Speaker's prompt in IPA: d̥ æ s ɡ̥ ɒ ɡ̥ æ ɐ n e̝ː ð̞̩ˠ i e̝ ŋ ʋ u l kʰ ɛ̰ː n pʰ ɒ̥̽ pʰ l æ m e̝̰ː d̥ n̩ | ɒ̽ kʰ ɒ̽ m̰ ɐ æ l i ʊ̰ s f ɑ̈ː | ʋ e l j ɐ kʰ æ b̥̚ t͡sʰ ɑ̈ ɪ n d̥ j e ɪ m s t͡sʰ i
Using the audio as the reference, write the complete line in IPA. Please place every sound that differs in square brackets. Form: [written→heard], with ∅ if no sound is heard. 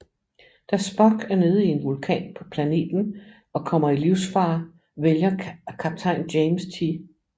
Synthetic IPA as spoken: d̥ æ s [ɡ̥→b̥] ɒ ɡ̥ æ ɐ n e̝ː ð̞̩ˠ i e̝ [ŋ→n] ʋ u l kʰ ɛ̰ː n pʰ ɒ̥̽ pʰ l æ [m→n] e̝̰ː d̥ n̩ | ɒ̽ kʰ ɒ̽ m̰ ɐ [æ→i] l i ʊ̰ s f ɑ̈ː | ʋ e l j ɐ kʰ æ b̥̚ t͡sʰ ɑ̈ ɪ n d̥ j e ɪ m s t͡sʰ i